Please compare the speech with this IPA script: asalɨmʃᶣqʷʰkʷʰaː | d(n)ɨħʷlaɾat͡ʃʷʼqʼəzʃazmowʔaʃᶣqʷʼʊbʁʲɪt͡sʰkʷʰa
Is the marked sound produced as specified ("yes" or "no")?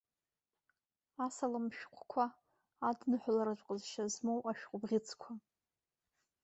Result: yes